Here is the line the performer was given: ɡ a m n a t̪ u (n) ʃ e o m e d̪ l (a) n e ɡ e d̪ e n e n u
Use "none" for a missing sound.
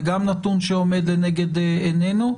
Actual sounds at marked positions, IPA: n, e

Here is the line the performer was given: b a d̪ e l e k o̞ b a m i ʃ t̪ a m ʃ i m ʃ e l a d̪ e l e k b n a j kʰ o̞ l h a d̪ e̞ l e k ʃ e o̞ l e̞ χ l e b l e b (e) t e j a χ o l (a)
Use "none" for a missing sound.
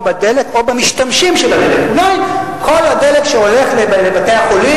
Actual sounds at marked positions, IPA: a, i

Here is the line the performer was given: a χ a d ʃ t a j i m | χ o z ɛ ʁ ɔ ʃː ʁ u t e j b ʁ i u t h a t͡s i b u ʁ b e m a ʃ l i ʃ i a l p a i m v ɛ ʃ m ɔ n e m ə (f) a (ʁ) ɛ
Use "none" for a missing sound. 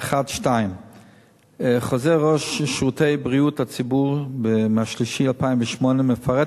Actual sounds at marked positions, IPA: f, ʁ

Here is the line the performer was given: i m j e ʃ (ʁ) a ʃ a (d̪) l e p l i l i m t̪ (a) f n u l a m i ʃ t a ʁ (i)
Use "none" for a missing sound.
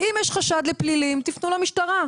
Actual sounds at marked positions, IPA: χ, d̪, i, a

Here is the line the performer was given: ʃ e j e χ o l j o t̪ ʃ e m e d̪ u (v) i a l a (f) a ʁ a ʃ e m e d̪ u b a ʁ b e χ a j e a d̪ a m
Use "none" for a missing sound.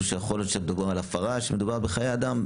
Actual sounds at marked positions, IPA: b, f

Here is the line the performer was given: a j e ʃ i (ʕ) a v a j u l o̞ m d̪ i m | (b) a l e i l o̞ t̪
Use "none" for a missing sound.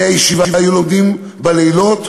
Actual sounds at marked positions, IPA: v, b

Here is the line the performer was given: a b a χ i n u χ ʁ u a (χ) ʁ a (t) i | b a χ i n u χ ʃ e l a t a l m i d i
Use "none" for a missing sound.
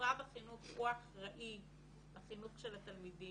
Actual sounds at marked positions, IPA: χ, ʔ

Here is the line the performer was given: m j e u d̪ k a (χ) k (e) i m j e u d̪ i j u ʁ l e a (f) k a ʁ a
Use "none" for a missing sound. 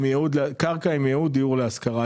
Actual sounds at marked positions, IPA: ʁ, a, s

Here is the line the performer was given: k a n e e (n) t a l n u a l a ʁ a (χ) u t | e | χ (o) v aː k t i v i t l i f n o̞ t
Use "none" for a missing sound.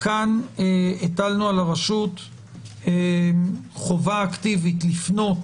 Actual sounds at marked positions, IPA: none, ʃ, o

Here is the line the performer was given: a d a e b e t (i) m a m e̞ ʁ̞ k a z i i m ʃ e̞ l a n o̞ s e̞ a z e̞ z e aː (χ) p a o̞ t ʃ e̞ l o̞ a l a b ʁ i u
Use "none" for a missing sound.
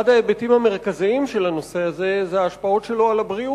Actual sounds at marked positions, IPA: i, ʃ

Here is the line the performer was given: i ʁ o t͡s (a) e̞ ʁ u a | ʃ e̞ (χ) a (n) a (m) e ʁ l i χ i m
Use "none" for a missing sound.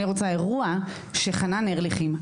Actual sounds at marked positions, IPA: a, χ, n, n

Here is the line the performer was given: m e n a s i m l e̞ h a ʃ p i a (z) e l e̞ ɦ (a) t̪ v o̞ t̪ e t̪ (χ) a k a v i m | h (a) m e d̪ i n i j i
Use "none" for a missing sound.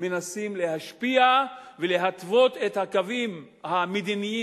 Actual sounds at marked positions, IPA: v, a, h, a

